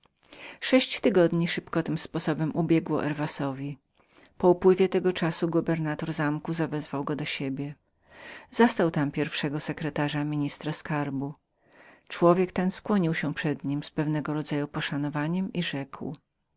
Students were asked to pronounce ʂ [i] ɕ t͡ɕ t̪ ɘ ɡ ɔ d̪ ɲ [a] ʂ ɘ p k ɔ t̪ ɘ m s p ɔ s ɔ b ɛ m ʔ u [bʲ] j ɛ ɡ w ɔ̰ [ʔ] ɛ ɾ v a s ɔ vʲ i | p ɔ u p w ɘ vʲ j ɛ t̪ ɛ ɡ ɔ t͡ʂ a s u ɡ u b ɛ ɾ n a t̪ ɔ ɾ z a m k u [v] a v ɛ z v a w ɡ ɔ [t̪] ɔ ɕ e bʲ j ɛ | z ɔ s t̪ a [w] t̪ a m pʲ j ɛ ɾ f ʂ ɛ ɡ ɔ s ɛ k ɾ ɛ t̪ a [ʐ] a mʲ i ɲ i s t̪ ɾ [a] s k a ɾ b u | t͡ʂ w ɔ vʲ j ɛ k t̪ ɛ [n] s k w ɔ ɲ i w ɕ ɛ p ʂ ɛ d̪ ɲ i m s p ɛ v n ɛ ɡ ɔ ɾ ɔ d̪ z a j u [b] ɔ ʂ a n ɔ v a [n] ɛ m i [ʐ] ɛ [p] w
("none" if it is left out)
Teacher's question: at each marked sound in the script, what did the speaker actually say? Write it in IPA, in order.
ɛ, i, bʲ, ʔ, z, d̪, w, ʐ, a, n, p, ɲ, ʐ, k

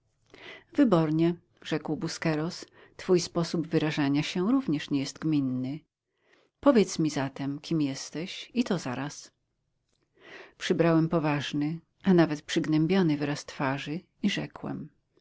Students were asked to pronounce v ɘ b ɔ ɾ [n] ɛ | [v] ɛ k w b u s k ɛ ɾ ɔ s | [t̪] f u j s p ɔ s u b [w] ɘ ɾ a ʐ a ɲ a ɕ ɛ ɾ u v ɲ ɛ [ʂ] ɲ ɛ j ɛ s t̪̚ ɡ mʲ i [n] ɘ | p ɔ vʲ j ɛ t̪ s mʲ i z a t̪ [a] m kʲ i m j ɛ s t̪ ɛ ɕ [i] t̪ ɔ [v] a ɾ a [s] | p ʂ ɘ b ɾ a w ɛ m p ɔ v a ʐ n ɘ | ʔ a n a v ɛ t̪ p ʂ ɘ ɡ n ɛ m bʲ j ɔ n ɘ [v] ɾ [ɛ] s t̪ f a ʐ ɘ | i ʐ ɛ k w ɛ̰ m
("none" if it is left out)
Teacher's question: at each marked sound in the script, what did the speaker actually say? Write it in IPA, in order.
ɲ, ʐ, t̪, v, ʂ, nː, ɛ, i, z, s, v, a

